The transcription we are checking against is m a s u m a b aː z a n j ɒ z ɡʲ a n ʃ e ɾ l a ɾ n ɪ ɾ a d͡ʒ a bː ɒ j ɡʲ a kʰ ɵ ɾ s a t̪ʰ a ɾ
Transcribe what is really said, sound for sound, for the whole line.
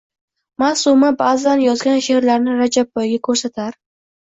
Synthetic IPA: m a s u m a b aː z a n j ɒ z ɡʲ a n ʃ e ɾ l a ɾ n ɪ ɾ a d͡ʒ a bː ɒ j ɡʲ a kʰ ɵ ɾ s a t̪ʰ a ɾ

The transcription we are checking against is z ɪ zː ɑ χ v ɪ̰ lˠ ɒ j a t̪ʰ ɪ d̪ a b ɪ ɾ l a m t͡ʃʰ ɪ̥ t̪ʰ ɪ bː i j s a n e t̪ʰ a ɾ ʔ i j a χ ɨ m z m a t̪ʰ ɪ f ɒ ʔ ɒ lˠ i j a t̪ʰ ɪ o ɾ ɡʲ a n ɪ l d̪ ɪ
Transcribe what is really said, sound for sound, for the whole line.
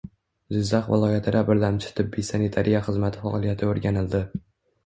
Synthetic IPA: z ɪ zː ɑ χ v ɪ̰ lˠ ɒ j a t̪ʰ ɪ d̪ a b ɪ ɾ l a m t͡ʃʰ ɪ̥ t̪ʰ ɪ bː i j s a n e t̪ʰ a ɾ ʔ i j a χ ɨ z m a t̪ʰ ɪ f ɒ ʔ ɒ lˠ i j a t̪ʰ ɪ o ɾ ɡʲ a n ɪ l d̪ ɪ

